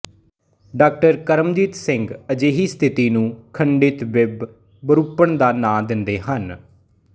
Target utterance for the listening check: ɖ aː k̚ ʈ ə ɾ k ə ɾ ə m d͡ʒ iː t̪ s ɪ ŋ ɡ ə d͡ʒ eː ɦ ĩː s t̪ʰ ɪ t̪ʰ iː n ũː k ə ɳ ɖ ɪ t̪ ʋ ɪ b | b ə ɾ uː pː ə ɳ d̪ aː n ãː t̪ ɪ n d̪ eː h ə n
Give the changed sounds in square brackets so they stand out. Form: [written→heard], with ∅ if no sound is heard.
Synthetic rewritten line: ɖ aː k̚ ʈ ə ɾ k ə ɾ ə m d͡ʒ iː t̪ s ɪ ŋ ɡ ə d͡ʒ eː ɦ [ĩː→iː] s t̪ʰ ɪ [t̪ʰ→t̪] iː n ũː [k→kʰ] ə ɳ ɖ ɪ t̪ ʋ ɪ b | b ə ɾ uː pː ə ɳ d̪ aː n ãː [t̪→d̪] ɪ n d̪ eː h ə n

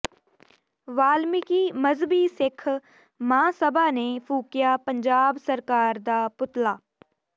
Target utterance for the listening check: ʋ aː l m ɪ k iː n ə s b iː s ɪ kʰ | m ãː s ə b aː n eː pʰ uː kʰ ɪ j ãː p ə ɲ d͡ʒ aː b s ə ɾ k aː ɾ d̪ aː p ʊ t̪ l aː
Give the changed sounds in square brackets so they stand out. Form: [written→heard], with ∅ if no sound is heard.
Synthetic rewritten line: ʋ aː l m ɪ k iː [n→m] ə [s→z] b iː s ɪ kʰ | m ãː s ə b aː n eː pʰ uː [kʰ→k] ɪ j [ãː→aː] p ə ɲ d͡ʒ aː b s ə ɾ k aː ɾ d̪ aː p ʊ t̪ l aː

